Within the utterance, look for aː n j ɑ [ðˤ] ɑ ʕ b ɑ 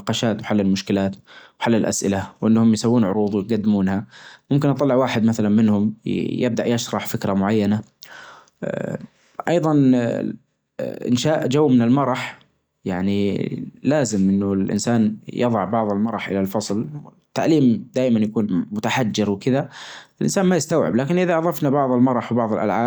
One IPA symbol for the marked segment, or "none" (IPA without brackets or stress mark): ðˤ